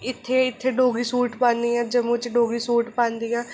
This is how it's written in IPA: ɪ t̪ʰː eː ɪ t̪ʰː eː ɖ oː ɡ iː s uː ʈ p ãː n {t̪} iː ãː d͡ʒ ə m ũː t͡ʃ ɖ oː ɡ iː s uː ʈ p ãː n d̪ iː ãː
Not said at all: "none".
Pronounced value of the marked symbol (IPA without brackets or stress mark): d̪